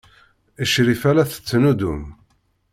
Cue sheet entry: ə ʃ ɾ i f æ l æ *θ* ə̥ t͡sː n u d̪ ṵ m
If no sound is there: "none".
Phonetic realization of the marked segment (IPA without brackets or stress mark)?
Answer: θ